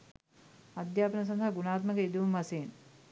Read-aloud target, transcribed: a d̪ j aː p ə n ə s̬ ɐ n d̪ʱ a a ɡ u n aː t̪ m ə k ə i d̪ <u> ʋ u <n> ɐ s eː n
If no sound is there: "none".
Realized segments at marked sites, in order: u, m

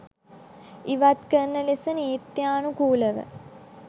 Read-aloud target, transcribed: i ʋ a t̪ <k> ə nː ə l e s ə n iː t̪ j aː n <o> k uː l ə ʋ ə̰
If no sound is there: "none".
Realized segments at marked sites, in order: k, u

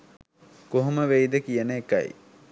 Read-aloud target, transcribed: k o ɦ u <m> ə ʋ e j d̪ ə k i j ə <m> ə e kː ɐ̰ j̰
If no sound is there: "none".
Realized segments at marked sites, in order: m, n

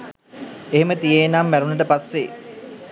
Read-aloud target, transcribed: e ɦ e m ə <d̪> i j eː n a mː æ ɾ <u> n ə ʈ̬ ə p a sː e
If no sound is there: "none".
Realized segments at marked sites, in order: t̪, u

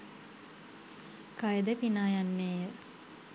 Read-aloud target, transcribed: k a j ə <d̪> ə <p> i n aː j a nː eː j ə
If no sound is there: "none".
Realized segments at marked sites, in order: d̪, p

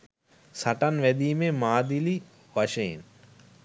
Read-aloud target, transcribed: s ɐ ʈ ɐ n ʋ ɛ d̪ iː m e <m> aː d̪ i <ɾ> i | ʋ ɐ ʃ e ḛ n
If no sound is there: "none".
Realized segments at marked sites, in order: m, l

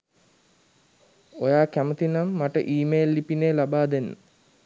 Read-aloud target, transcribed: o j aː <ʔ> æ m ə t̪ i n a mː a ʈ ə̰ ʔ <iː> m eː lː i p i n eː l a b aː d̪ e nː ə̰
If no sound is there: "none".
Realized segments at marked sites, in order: k, iː

